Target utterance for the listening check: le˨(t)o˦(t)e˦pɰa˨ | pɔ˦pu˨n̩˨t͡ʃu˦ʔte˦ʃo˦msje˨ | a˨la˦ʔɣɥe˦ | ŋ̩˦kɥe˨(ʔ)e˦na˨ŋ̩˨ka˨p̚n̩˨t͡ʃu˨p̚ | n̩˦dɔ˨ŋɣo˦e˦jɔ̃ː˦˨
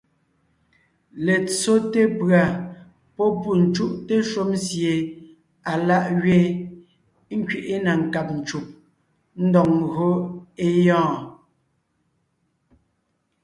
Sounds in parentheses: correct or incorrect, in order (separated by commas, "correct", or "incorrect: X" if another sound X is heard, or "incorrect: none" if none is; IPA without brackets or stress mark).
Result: incorrect: t͡s, correct, correct